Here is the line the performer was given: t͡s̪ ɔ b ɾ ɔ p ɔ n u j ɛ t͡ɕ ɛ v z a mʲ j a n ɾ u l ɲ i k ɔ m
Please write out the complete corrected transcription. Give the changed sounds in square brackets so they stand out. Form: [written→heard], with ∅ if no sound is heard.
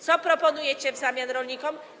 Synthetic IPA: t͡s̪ ɔ [b→p] ɾ ɔ p ɔ n u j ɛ t͡ɕ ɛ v z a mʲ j a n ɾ [u→ɔ] l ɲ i k ɔ m

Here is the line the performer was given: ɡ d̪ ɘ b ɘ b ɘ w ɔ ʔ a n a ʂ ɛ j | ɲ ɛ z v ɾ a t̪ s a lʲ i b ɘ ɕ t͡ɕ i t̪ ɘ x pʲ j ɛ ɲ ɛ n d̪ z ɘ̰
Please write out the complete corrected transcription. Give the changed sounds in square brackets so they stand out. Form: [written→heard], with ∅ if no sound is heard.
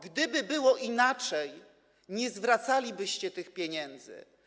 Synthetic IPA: ɡ d̪ ɘ b ɘ b ɘ w ɔ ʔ [a→i] n a [ʂ→t͡ʂ] ɛ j | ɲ ɛ z v ɾ a t̪ s a lʲ i b ɘ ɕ t͡ɕ [i→ɛ] t̪ ɘ x pʲ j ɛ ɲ ɛ n d̪ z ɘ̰

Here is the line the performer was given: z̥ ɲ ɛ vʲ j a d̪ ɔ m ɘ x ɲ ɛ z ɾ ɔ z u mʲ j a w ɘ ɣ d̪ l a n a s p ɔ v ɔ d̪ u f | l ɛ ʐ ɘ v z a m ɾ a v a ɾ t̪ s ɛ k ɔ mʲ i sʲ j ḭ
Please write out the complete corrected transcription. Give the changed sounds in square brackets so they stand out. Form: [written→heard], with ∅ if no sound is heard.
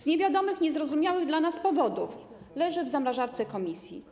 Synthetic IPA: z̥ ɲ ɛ vʲ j a d̪ ɔ m ɘ x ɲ ɛ z ɾ ɔ z u mʲ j a w ɘ ɣ d̪ l a n a s p ɔ v ɔ d̪ u f | l ɛ ʐ ɘ v z a m ɾ a [v→ʐ] a ɾ t̪ s ɛ k ɔ mʲ i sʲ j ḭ

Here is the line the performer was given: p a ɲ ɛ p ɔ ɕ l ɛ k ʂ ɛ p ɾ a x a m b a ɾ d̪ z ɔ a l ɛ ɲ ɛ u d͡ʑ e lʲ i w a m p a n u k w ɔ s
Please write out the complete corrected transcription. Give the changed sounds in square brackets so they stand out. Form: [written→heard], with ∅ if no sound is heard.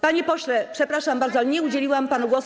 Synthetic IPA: p a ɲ ɛ p ɔ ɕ l ɛ [k→p] ʂ ɛ p ɾ a [x→ʂ] a m b a ɾ d̪ z ɔ a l ɛ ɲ ɛ u d͡ʑ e lʲ i w a m p a n u [k→ɡ] w ɔ s

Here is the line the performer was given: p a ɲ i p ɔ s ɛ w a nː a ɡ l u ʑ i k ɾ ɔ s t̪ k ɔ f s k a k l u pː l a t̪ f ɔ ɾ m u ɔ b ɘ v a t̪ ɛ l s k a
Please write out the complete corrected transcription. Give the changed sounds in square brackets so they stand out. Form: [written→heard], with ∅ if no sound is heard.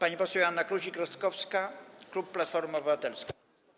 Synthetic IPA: p a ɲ i p ɔ s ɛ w a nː a [ɡ→k] l u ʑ i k ɾ ɔ s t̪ k ɔ f s k a k l u pː l a t̪ f ɔ ɾ m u ɔ b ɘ v a t̪ ɛ l s k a

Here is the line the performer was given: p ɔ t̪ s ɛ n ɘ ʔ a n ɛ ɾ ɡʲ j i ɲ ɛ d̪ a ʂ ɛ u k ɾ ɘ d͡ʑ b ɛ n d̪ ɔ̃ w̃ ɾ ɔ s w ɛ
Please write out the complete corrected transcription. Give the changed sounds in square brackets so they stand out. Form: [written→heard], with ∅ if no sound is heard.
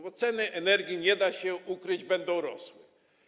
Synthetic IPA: [p→b] ɔ t̪ s ɛ n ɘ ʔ [a→ɛ] n ɛ ɾ ɡʲ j i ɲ ɛ d̪ a [ʂ→ɕ] ɛ u k ɾ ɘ d͡ʑ b ɛ n d̪ ɔ̃ w̃ ɾ ɔ s w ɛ

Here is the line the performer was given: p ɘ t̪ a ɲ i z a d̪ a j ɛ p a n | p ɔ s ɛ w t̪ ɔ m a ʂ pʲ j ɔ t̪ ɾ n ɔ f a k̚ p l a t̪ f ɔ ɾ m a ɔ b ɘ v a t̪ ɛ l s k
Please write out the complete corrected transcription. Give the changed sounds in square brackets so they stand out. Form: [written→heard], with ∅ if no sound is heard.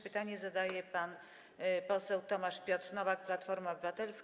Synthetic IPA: p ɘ t̪ a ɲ [i→ɛ] z a d̪ a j ɛ p a n | p ɔ s ɛ w t̪ ɔ m a ʂ pʲ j ɔ t̪ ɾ n ɔ [f→v] a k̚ p l a t̪ f ɔ ɾ m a ɔ b ɘ v a t̪ ɛ l s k

